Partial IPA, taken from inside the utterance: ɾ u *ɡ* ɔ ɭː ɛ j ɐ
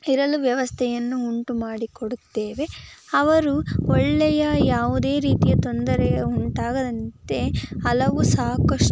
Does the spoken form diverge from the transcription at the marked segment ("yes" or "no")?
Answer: yes